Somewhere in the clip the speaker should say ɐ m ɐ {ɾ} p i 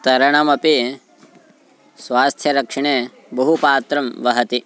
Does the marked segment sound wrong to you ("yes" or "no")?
yes